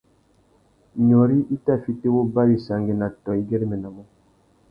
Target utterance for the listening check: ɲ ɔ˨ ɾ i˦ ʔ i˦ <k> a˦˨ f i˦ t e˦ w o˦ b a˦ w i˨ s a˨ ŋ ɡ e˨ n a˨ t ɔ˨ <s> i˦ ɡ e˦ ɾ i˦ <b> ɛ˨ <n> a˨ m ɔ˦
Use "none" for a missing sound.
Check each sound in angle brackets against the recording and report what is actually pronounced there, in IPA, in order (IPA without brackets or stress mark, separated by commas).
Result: t, none, m, n